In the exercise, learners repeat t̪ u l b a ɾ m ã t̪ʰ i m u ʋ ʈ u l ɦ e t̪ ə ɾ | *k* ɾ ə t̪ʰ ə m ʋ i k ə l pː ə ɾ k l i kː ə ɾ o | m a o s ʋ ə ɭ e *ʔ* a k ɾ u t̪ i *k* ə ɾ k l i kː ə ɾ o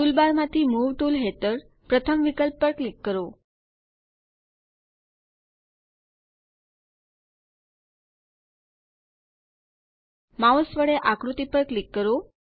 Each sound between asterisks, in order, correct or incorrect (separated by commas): incorrect, correct, incorrect